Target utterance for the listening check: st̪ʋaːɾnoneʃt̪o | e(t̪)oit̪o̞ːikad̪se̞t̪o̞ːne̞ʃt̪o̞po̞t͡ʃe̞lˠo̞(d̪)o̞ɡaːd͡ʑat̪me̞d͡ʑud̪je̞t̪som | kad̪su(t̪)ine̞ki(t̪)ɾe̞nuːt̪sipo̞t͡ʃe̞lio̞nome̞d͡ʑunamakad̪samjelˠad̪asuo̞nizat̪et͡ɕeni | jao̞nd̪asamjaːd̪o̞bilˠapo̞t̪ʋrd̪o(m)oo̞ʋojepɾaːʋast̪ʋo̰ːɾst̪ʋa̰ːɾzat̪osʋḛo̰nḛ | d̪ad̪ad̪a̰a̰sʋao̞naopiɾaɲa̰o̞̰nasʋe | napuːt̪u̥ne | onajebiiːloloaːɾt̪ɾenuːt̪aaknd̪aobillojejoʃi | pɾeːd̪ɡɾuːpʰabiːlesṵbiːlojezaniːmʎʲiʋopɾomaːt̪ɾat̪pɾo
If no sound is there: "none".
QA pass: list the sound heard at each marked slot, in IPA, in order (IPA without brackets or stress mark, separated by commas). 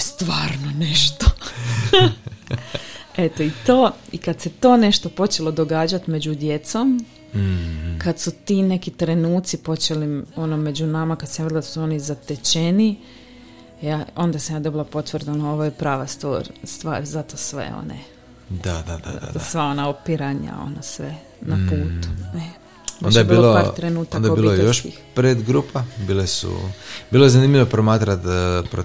t̪, d̪, t̪, t̪, n